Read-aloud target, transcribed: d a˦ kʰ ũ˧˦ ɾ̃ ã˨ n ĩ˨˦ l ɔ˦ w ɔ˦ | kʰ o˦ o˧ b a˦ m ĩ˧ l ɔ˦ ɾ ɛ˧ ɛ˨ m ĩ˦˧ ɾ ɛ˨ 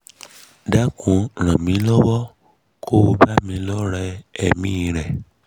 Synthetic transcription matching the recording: d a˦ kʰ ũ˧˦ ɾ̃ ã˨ m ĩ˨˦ l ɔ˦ w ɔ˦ | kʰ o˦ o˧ b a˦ m ĩ˧ l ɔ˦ ɾ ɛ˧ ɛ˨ m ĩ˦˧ ɾ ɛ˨